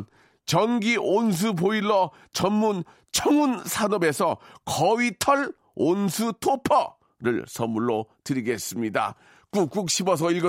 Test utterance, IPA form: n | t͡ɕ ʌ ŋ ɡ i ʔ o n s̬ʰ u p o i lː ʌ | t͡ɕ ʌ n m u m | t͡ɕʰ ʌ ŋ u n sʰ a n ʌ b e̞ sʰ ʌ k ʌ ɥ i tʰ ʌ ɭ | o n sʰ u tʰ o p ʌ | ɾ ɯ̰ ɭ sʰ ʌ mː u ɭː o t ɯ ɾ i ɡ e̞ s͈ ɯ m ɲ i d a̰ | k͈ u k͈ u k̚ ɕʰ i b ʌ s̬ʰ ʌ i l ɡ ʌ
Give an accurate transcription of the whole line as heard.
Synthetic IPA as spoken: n | t͡ɕ ʌ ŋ ɡ i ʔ o n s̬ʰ u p o i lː ʌ | t͡ɕ ʌ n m u n | t͡ɕʰ ʌ ŋ u n sʰ a n ʌ b e̞ sʰ ʌ k ʌ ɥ i tʰ ʌ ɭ | o n sʰ u tʰ o pʰ ʌ | ɾ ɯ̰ ɭ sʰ ʌ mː u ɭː o t ɯ ɾ i ɡ e̞ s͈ ɯ m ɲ i d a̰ | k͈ u k͈ u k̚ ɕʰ i b ʌ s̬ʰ ʌ i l ɡ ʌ